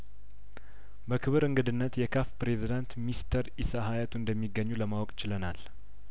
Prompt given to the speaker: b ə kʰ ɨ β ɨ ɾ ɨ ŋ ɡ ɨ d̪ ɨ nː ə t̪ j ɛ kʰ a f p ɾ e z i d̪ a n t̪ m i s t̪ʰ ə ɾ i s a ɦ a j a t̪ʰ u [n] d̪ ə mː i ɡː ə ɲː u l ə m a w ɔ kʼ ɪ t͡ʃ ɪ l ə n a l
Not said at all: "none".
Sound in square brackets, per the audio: n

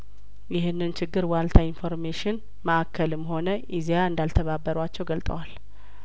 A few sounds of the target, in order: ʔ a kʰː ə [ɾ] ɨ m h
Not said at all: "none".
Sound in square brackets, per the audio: l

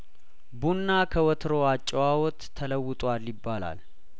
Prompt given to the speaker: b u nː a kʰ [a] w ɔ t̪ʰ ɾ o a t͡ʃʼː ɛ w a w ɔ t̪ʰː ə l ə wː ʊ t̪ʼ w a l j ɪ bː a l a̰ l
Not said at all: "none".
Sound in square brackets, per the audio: ə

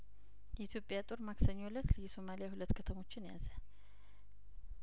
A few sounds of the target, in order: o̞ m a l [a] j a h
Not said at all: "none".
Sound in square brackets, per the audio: i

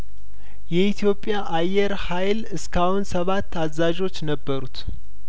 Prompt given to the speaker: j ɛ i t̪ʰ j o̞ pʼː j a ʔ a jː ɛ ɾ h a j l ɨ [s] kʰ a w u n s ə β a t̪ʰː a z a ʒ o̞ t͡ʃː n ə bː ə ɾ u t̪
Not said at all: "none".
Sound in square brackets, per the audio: s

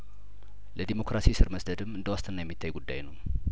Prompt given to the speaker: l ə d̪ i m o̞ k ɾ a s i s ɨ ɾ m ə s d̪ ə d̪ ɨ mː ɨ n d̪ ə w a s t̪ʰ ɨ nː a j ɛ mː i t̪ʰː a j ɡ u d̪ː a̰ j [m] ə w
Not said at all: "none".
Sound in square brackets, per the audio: n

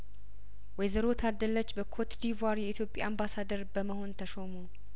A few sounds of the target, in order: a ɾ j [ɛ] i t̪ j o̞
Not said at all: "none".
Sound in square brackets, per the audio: ɛ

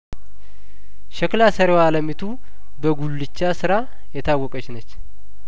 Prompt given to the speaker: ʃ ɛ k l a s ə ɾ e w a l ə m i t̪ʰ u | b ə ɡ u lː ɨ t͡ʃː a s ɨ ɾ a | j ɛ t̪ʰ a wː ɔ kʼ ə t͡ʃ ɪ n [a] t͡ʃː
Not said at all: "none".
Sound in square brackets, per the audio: ə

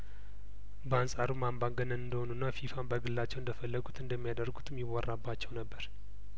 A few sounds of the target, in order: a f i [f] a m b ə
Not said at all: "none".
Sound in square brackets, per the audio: f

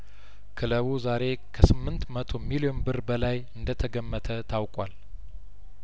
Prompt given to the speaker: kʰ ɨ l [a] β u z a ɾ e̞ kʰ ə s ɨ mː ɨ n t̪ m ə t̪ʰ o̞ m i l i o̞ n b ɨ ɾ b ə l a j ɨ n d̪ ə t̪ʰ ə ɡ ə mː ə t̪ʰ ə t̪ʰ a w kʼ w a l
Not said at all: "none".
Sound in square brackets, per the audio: ə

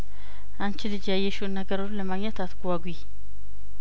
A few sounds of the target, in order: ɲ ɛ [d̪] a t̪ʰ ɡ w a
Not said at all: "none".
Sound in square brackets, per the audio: t̪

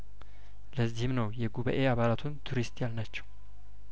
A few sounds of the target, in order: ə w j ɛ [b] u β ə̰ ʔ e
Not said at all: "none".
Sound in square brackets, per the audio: ɡ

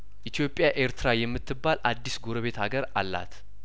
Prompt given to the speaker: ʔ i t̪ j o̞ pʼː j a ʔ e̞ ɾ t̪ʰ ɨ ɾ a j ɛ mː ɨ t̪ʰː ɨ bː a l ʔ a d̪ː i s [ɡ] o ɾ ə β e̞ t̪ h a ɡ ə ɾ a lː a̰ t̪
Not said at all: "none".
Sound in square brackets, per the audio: ɡ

